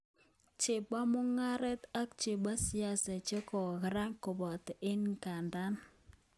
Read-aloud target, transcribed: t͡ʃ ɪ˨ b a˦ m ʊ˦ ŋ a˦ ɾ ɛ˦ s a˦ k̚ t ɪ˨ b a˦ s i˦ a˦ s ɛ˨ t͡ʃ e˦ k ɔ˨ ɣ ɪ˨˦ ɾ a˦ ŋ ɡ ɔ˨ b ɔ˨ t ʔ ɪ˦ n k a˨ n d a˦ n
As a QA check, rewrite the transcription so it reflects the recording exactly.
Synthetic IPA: t͡ʃ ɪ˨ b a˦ m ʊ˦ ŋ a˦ ɾ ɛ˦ t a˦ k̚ t͡ʃ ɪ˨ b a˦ s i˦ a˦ s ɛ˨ t͡ʃ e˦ k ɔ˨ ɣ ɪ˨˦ ɾ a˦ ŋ k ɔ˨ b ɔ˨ t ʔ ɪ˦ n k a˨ n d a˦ n